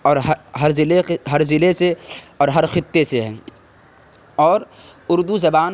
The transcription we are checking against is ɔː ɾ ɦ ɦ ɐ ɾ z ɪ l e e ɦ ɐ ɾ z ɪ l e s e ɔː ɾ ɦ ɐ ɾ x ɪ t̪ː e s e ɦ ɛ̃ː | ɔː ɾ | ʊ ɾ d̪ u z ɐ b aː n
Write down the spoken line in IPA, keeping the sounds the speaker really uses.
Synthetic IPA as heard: ɔː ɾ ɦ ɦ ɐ ɾ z ɪ l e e ɦ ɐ ɾ z ɪ l e s e ɔː ɾ ɦ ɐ ɾ x ɪ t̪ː e s e ɦ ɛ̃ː | ɔː ɾ | ʊ ɾ d̪ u z ɐ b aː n